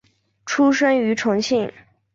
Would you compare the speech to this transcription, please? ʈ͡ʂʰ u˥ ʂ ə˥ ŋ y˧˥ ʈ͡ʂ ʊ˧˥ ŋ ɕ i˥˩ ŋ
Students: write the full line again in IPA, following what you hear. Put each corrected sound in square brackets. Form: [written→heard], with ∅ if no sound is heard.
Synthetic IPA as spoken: ʈ͡ʂʰ u˥ ʂ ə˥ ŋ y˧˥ [ʈ͡ʂ→ʈ͡ʂʰ] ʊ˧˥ ŋ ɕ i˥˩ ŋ